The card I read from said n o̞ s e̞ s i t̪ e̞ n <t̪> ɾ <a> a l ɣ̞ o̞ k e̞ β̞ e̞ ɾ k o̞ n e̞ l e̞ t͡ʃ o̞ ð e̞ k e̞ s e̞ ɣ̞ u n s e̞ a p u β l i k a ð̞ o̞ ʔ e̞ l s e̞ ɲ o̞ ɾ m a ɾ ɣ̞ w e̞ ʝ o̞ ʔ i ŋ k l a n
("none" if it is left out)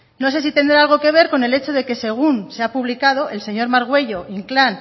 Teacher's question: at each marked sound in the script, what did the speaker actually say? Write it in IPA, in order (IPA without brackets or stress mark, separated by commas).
d̪, a